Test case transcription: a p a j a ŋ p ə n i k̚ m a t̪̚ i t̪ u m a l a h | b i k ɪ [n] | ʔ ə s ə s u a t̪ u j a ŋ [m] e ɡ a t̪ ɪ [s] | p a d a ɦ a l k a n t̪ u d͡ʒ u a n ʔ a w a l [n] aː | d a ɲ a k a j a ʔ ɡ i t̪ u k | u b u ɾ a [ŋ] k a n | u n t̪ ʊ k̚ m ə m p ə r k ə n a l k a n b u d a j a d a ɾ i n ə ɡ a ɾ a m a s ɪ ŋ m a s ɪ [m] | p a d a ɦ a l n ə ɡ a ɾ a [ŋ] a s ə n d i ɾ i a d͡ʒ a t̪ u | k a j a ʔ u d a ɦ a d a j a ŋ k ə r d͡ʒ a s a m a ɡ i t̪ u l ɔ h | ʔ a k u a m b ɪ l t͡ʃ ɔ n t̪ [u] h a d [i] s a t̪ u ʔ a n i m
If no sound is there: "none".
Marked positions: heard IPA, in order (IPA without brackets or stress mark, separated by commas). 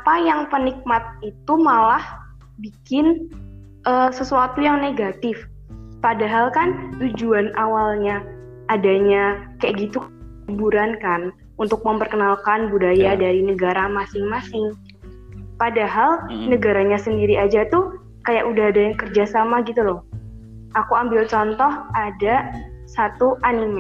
n, n, f, ɲ, n, ŋ, ɲ, ɔ, a